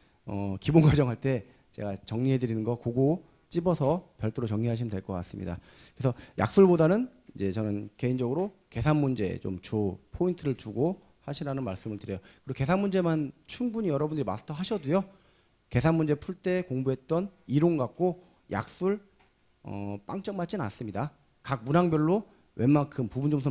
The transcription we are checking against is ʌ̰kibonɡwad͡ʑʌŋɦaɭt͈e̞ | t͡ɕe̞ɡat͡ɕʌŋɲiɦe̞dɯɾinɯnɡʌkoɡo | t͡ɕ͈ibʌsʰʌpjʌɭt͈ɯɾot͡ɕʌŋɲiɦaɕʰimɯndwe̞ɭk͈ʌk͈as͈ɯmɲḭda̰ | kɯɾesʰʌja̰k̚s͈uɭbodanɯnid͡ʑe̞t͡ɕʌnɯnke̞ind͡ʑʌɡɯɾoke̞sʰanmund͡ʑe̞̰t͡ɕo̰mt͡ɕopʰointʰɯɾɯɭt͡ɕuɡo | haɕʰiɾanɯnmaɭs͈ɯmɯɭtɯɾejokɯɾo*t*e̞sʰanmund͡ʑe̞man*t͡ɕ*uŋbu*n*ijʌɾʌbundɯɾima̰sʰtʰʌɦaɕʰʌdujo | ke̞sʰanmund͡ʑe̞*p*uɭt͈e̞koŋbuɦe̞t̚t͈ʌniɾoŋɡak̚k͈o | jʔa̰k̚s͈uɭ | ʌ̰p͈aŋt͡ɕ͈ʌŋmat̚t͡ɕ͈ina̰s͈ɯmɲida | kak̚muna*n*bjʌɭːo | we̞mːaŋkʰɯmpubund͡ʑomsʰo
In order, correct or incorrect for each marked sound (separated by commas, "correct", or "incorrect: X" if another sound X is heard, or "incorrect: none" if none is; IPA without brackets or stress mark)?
incorrect: k, incorrect: t͡ɕʰ, incorrect: ɲ, incorrect: pʰ, incorrect: ŋ